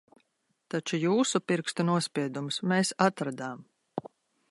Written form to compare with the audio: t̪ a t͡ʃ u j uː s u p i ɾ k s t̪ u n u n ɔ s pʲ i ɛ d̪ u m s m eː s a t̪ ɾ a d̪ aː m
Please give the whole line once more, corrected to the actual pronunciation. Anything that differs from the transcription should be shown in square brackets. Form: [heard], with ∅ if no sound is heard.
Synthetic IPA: t̪ a t͡ʃ u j uː s u p i ɾ k s t̪ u n u [∅] ɔ s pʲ i ɛ d̪ u m s m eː s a t̪ ɾ a d̪ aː m